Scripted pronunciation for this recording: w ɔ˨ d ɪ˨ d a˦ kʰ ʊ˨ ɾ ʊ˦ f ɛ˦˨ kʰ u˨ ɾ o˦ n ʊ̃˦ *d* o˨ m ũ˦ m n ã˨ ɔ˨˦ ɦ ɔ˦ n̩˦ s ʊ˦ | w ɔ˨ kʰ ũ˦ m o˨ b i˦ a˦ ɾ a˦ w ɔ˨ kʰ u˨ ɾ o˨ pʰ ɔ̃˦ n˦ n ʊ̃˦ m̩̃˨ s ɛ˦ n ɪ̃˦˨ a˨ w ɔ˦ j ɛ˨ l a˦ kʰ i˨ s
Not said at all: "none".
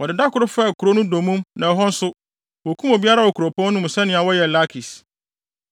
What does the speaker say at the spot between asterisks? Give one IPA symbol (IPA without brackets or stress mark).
d